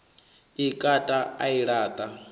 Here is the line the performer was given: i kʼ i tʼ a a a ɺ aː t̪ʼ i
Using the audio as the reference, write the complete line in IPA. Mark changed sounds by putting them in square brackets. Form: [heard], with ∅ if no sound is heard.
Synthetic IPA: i kʼ [a] tʼ a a [i] ɺ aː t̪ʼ [a]